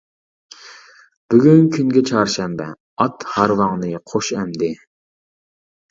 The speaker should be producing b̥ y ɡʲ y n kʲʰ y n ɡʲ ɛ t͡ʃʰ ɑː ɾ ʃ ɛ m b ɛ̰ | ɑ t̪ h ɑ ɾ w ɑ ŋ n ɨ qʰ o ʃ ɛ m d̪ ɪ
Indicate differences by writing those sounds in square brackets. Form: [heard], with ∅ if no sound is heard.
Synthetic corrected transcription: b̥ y ɡʲ y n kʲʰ y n ɡʲ ɛ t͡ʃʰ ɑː ɾ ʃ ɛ m b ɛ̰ | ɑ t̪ h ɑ ɾ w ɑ ŋ n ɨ qʰ o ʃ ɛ m d̪ ɪ